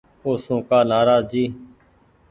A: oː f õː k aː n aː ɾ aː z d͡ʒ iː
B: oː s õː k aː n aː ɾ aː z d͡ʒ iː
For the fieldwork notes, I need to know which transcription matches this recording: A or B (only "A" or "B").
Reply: B